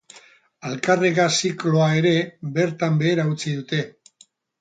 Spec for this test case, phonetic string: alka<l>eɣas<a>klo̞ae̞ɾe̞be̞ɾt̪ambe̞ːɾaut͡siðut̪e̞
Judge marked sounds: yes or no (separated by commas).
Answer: no, no